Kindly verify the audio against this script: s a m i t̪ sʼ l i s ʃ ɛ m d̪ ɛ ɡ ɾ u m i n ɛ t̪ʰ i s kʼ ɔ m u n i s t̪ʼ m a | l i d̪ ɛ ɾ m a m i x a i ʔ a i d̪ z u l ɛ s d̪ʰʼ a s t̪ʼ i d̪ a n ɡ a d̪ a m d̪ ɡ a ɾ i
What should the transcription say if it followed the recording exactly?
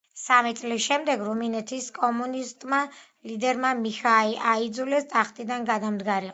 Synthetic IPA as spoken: s a m i t̪ sʼ l i s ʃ ɛ m d̪ ɛ ɡ ɾ u m i n ɛ t̪ʰ i s kʼ ɔ m u n i s t̪ʼ m a | l i d̪ ɛ ɾ m a m i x a i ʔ a i d̪ z u l ɛ s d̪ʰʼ a χ t̪ʼ i d̪ a n ɡ a d̪ a m d̪ ɡ a ɾ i